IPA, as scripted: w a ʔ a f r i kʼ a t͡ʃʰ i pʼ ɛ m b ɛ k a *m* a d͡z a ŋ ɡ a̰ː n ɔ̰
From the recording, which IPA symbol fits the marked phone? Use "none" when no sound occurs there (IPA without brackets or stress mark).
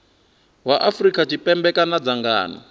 n